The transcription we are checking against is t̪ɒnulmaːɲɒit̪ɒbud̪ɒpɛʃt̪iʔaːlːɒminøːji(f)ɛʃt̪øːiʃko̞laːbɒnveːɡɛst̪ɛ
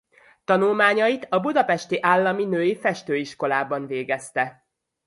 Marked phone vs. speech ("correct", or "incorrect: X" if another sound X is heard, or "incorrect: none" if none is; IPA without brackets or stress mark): correct